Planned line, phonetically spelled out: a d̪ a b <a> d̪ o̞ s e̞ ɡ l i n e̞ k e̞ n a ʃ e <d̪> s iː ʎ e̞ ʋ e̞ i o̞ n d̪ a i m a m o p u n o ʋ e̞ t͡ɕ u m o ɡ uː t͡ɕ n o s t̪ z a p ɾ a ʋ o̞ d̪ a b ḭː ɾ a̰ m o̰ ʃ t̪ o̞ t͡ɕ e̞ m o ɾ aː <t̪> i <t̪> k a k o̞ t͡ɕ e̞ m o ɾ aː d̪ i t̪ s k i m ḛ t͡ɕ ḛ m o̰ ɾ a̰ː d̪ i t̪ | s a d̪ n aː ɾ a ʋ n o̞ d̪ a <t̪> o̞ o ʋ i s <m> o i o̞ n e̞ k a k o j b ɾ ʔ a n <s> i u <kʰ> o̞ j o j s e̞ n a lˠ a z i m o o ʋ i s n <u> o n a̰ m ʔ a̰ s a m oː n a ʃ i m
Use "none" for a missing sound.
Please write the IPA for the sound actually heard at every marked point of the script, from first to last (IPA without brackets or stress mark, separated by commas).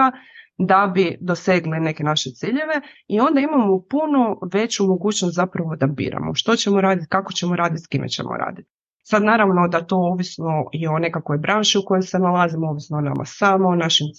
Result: i, t̪, d̪, t̪, t̪, n, ʃ, k, o